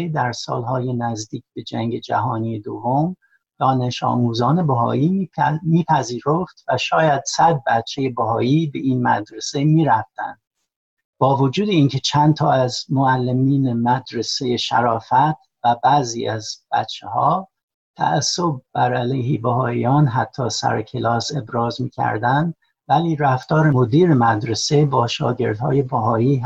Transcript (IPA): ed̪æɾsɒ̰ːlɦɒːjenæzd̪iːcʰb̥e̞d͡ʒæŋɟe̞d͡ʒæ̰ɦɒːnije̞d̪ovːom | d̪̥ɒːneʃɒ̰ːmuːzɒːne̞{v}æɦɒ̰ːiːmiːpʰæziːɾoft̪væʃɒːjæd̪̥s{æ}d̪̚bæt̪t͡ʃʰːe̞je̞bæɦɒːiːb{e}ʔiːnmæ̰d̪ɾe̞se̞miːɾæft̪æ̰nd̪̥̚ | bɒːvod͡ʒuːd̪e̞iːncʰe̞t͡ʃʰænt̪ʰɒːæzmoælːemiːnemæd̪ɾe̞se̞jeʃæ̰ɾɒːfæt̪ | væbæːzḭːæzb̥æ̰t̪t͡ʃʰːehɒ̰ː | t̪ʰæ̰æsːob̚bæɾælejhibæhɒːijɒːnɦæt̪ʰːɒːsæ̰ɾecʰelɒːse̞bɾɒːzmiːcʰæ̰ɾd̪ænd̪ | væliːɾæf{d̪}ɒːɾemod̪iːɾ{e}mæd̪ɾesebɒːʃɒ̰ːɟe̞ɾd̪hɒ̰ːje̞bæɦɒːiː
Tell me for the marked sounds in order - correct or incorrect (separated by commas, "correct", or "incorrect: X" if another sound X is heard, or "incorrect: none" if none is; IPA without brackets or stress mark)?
incorrect: b, correct, correct, incorrect: t̪, correct